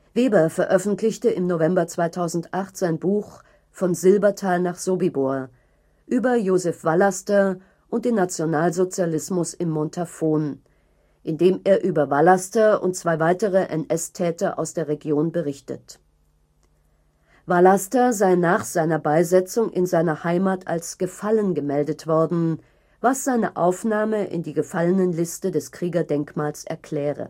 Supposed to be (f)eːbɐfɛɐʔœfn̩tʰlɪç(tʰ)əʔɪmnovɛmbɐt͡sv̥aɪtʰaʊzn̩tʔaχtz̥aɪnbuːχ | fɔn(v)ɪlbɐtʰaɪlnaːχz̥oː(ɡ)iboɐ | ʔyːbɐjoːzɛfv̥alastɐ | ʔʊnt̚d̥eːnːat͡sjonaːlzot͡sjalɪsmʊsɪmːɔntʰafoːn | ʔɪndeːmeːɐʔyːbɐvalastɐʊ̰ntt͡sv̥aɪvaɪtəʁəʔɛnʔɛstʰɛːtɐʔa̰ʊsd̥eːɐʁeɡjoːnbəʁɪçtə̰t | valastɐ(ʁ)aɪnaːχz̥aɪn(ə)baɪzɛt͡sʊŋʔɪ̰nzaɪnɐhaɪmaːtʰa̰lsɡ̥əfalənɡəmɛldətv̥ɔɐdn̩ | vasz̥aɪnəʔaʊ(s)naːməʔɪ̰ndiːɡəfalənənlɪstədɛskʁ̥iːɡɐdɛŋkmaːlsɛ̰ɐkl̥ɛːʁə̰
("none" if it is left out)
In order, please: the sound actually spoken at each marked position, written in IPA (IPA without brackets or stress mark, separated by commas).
v, t, z, b, z, ɐ, f